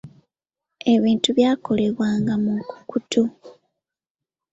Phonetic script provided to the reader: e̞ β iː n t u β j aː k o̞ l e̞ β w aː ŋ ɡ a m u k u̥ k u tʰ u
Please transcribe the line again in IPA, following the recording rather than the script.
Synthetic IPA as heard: e̞ β iː n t u β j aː k o̞ l e̞ β w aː ŋ ɡ a m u k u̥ k u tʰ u